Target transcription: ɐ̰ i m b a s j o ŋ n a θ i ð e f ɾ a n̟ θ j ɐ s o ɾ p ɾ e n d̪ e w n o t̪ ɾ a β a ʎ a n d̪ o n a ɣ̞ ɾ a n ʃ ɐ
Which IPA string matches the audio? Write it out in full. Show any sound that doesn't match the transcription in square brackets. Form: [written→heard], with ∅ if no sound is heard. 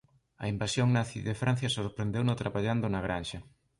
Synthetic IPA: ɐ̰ i m b a s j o ŋ n a θ i ð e f ɾ a n̟ θ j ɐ s o ɾ p ɾ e n d̪ e w n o t̪ ɾ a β a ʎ a n d̪ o n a ɣ̞ ɾ a n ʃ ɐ